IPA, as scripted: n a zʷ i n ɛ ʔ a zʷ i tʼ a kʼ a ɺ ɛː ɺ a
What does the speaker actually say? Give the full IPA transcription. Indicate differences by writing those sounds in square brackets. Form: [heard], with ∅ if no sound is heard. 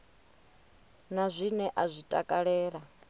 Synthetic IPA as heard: n a zʷ i n ɛ ʔ a zʷ i tʼ a kʼ a ɺ ɛː ɺ a